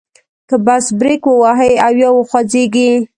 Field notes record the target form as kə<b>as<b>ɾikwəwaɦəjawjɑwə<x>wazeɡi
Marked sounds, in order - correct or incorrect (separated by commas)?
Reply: correct, correct, correct